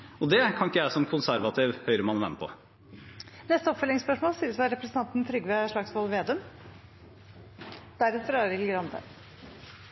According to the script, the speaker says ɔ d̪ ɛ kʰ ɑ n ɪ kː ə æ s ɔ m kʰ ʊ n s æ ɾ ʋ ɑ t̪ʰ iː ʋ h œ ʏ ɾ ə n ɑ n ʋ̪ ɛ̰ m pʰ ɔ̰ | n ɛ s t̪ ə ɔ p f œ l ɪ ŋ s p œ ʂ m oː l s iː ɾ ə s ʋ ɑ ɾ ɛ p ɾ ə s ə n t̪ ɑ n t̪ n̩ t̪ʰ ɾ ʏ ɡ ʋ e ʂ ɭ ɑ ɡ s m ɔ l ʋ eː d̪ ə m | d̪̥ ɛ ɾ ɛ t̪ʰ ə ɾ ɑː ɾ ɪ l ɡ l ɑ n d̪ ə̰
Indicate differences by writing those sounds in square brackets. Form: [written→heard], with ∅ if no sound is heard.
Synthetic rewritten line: ɔ d̪ ɛ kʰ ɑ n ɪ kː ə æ s ɔ m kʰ ʊ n s æ ɾ ʋ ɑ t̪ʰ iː ʋ h œ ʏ ɾ ə [n→m] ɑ n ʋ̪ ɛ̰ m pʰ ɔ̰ | n ɛ s t̪ ə ɔ p f œ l ɪ ŋ s p œ ʂ m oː l s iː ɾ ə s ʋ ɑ ɾ ɛ p ɾ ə s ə n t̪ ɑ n t̪ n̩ t̪ʰ ɾ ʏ ɡ ʋ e ʂ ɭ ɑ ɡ s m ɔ l ʋ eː d̪ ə m | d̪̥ [ɛ→æ] ɾ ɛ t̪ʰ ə ɾ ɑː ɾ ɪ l ɡ [l→ɾ] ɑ n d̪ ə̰